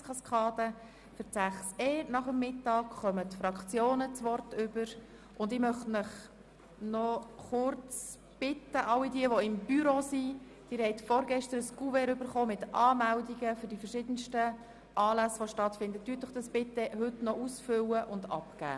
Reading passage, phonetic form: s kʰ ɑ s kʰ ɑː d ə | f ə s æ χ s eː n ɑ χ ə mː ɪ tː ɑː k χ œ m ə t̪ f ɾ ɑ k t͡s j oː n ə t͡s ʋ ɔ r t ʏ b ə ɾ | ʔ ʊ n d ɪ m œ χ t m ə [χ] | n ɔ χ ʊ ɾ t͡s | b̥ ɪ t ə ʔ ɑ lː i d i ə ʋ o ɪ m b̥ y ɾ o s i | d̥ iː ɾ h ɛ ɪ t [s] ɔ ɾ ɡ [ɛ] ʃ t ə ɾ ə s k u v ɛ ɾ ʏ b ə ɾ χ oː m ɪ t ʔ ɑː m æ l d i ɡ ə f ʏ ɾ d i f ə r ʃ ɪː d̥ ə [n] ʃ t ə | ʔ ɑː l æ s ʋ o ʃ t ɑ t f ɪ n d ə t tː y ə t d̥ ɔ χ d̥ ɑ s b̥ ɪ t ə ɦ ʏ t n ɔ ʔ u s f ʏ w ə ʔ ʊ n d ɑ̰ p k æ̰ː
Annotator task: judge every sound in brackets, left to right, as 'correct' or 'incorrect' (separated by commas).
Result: correct, incorrect, correct, correct